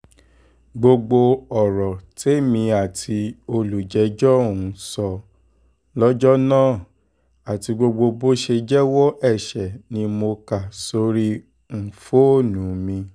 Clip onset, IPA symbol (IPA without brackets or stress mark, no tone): ɡ͡b